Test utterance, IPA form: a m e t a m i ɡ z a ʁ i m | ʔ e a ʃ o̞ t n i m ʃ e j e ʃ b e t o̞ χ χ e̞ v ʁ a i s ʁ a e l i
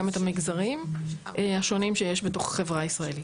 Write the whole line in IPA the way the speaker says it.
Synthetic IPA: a m e t a m i ɡ z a ʁ i m | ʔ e a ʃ o̞ n i m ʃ e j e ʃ b e t o̞ χ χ e̞ v ʁ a i s ʁ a e l i